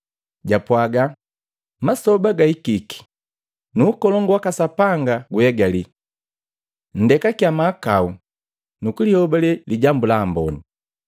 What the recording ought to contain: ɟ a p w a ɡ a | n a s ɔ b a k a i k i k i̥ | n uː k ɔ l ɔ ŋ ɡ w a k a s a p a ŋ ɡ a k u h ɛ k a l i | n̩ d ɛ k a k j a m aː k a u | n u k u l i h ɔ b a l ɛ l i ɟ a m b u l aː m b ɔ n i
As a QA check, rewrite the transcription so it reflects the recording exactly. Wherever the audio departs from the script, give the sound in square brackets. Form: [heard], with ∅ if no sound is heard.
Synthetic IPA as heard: ɟ a p w a ɡ a | [m] a s ɔ b a [ɡ] a i k i k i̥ | n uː k ɔ l ɔ ŋ ɡ w a k a s a p a ŋ ɡ a [ɡ] u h ɛ [ɡ] a l i | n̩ d ɛ k a k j a m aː k a u | n u k u l i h ɔ b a l ɛ l i ɟ a m b u l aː m b ɔ n i